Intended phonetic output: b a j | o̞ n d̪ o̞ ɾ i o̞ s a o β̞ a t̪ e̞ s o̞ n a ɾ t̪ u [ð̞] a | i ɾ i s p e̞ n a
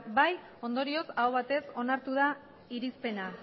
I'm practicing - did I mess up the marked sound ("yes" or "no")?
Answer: no